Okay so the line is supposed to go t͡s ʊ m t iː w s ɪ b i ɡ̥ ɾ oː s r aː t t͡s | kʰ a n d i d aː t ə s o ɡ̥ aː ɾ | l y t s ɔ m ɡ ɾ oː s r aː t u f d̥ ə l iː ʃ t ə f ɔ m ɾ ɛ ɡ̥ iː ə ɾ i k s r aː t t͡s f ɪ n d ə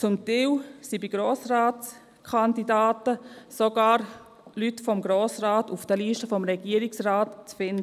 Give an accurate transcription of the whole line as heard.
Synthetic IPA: t͡s ʊ m t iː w s i b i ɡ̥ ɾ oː s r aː t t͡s | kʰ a n d i d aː t ə s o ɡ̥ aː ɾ | l y t f ɔ m ɡ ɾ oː s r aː t u f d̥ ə l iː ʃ t ə f ɔ m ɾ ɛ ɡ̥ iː ə ɾ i k s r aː t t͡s f ɪ n d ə